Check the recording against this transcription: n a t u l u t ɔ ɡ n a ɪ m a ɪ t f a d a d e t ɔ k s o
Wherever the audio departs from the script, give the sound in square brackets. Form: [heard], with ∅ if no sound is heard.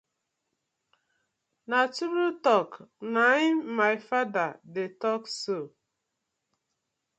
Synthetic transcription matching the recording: n a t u [ɾ] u t ɔ [k] n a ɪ m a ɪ [∅] f a d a d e t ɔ k s o